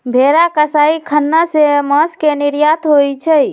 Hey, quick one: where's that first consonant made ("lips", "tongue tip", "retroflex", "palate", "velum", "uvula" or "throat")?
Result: lips